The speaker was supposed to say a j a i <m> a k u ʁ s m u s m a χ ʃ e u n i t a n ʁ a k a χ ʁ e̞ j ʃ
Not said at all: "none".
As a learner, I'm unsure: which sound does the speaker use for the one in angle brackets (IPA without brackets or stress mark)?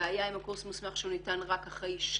m